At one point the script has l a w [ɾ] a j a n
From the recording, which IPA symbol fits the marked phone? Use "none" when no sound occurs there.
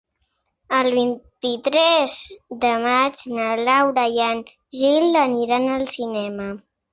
ɾ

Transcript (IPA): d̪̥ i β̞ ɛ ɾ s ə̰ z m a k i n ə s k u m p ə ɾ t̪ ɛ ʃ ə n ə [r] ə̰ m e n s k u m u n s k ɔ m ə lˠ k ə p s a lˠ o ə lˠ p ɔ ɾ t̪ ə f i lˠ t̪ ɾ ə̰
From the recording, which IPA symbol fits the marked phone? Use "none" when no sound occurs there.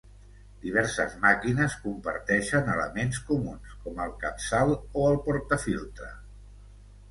l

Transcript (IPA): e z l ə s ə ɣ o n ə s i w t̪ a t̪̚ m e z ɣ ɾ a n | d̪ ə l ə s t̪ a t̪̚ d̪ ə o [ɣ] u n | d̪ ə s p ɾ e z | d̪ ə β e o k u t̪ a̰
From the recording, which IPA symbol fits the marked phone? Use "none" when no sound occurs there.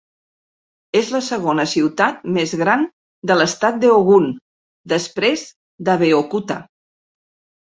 ɣ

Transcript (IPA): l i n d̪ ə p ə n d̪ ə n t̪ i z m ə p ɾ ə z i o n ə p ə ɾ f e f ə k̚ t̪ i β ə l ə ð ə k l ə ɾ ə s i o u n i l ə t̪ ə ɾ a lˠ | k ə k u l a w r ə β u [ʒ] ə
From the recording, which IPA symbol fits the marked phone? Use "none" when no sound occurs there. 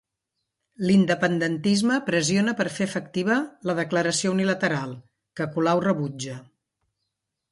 d͡ʒ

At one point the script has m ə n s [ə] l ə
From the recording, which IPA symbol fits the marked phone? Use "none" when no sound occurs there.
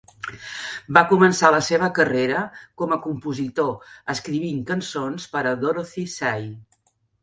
a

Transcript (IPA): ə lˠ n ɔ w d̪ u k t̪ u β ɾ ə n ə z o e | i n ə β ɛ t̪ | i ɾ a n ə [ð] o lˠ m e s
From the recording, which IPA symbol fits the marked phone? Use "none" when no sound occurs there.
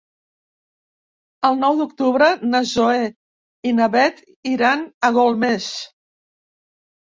ɣ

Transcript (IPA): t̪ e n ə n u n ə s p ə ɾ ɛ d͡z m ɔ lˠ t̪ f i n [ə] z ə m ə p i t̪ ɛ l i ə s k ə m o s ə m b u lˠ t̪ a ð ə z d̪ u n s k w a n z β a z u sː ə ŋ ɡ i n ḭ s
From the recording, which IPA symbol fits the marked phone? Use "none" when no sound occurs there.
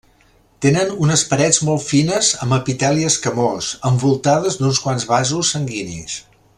ə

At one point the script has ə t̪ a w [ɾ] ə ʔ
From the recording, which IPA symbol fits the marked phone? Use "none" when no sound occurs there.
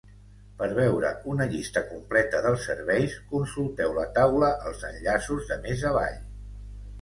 l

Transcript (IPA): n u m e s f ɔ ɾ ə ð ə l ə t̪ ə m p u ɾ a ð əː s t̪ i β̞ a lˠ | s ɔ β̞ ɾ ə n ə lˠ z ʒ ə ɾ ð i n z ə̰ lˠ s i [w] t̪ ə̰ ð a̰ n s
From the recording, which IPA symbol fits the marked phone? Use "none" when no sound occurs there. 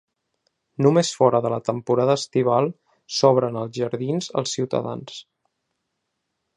w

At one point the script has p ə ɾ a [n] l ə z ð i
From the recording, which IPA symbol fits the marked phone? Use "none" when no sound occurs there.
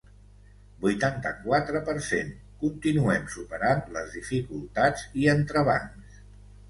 n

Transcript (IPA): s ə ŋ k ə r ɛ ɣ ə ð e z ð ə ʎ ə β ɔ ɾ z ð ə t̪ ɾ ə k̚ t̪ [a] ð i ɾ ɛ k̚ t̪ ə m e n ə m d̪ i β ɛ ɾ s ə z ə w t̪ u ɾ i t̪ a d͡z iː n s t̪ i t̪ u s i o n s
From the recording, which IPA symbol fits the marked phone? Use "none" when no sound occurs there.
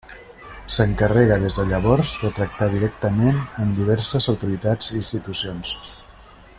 a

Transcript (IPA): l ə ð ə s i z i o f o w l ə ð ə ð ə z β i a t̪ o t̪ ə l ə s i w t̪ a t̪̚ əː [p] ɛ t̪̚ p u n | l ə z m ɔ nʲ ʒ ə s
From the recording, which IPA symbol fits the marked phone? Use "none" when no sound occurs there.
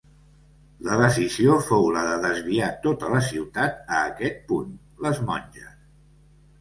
k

